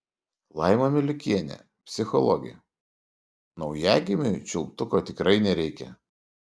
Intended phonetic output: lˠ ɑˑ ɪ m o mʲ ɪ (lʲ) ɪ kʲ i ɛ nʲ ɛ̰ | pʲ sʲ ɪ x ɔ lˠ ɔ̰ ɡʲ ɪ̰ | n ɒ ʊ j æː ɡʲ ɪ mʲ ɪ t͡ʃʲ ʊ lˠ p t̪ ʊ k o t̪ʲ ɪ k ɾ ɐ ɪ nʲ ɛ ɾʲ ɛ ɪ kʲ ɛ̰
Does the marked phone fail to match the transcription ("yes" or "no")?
no